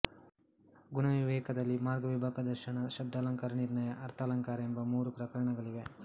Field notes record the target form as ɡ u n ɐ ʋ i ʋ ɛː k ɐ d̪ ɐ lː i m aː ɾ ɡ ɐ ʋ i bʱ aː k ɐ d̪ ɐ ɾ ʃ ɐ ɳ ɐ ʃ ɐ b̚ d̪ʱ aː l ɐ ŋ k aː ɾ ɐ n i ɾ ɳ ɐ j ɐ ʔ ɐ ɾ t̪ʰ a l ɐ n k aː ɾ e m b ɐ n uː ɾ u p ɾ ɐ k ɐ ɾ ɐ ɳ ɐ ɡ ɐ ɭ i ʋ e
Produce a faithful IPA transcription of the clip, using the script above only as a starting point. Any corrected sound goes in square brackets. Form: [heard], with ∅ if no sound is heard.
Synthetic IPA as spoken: ɡ u n ɐ ʋ i ʋ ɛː k ɐ d̪ ɐ lː i m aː ɾ ɡ ɐ ʋ i bʱ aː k ɐ d̪ ɐ ɾ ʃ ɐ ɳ ɐ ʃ ɐ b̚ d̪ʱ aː l ɐ ŋ k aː ɾ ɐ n i ɾ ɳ ɐ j ɐ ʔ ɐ ɾ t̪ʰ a l ɐ [ŋ] k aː ɾ e m b ɐ [m] uː ɾ u p ɾ ɐ k ɐ ɾ ɐ ɳ ɐ ɡ ɐ ɭ i ʋ e

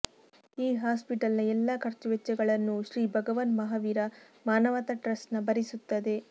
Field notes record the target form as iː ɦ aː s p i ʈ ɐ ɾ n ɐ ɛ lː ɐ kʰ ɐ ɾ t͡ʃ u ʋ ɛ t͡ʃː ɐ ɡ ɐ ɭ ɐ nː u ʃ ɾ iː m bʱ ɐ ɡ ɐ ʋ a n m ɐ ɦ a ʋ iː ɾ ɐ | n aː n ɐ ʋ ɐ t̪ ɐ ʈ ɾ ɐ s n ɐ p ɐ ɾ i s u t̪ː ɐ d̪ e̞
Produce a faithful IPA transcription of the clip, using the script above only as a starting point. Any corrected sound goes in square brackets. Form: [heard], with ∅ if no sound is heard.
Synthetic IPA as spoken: iː ɦ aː s p i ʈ ɐ [l] n ɐ ɛ lː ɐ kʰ ɐ ɾ t͡ʃ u ʋ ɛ t͡ʃː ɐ ɡ ɐ ɭ ɐ nː u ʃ ɾ iː [∅] bʱ ɐ ɡ ɐ ʋ [ɐ] n m ɐ ɦ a ʋ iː ɾ ɐ | [m] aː n ɐ ʋ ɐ t̪ ɐ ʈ ɾ ɐ s n ɐ [b] ɐ ɾ i s u t̪ː ɐ d̪ e̞

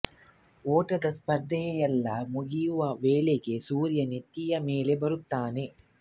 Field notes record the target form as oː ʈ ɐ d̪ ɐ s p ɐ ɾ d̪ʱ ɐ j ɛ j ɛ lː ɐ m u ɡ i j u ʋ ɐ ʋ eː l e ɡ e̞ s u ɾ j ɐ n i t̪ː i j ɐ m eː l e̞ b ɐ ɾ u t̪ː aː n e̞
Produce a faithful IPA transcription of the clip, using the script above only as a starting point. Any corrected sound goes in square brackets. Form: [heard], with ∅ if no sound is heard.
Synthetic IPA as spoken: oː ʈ ɐ d̪ ɐ s p ɐ ɾ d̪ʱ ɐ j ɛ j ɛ lː ɐ m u ɡ i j u ʋ ɐ ʋ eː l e ɡ e̞ s [uː] ɾ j ɐ n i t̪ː i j ɐ m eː l e̞ b ɐ ɾ u t̪ː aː n e̞

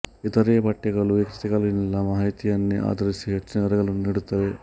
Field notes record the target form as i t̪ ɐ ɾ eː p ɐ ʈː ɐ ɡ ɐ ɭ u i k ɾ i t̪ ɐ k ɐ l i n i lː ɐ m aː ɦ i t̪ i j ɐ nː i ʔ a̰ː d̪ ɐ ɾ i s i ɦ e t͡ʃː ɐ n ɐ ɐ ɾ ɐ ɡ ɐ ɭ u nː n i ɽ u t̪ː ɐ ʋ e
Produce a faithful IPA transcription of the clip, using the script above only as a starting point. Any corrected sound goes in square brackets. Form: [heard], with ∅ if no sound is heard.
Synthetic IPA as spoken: i t̪ ɐ ɾ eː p ɐ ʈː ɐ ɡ ɐ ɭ u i k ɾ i t̪ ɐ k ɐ l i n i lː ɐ m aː ɦ i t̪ i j ɐ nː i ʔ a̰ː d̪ ɐ ɾ i s i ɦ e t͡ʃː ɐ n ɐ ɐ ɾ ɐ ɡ ɐ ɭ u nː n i ɽ u t̪ː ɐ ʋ e

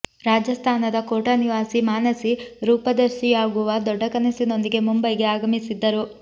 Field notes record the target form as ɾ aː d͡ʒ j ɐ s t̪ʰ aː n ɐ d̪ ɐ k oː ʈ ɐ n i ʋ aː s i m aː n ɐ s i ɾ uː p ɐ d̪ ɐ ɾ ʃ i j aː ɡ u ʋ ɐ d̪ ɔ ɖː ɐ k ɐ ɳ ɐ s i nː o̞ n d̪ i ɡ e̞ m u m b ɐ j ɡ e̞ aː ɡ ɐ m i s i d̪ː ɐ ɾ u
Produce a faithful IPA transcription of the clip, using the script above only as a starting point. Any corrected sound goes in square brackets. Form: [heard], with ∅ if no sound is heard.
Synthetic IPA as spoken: ɾ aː d͡ʒ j ɐ s t̪ʰ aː n ɐ d̪ ɐ k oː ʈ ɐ n i ʋ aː s i m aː n ɐ s i ɾ uː p ɐ d̪ ɐ ɾ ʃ i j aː ɡ u ʋ ɐ d̪ ɔ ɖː ɐ k ɐ [n] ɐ s i [n] o̞ n d̪ i ɡ e̞ m u m b ɐ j ɡ e̞ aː ɡ ɐ m i s i d̪ː ɐ ɾ u

